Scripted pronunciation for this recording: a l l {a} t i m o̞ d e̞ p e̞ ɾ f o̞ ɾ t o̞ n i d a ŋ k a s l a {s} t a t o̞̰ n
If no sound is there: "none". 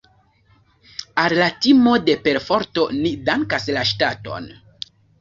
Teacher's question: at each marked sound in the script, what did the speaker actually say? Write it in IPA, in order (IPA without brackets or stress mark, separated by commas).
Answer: a, ʃ